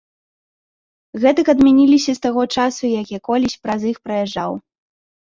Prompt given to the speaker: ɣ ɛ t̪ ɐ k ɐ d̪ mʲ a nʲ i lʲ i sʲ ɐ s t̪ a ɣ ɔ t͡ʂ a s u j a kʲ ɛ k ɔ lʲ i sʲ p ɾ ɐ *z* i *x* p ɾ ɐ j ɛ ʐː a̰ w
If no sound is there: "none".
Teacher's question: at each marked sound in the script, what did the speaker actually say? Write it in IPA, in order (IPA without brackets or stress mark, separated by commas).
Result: z, x